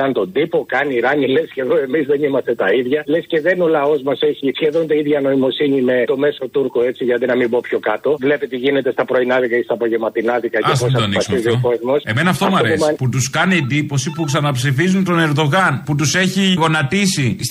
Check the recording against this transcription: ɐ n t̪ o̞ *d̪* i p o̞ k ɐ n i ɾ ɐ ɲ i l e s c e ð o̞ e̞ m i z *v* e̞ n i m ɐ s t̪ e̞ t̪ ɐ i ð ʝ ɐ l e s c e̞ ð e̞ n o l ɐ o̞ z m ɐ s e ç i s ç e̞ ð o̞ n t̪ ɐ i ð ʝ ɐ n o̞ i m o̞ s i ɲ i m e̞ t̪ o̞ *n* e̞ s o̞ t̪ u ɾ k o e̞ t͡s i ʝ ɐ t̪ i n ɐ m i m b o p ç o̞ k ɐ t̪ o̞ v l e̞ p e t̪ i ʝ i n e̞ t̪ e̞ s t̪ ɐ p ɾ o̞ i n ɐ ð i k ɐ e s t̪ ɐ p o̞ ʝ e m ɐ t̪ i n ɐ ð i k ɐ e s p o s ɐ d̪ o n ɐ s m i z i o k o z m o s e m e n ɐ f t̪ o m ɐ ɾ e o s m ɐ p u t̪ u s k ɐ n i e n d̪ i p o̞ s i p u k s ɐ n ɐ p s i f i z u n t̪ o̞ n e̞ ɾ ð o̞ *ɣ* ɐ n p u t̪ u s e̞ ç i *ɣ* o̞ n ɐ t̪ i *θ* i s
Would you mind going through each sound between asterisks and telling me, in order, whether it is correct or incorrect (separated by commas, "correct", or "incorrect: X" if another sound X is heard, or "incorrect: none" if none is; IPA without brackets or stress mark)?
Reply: correct, incorrect: ð, incorrect: m, correct, correct, incorrect: s